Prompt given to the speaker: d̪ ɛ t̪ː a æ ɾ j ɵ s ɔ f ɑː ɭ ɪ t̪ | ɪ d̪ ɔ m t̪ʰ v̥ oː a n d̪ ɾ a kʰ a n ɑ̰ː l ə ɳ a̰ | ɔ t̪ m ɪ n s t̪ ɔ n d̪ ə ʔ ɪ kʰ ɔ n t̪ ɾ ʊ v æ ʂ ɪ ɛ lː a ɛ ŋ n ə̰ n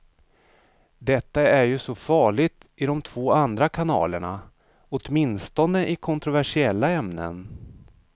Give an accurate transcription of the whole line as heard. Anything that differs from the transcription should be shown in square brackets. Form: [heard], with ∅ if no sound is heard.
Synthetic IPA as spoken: d̪ ɛ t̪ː a æ ɾ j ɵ s ɔ f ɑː ɭ ɪ t̪ | ɪ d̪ ɔ m t̪ʰ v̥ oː a n d̪ ɾ a kʰ a n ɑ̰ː l ə ɳ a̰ | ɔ t̪ m ɪ n s t̪ ɔ n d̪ ə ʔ ɪ kʰ ɔ n t̪ ɾ ʊ v æ ʂ ɪ ɛ lː a ɛ [m] n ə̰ n